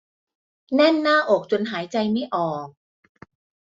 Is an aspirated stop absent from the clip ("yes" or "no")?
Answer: yes